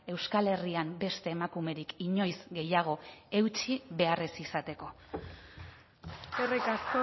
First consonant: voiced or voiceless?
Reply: voiced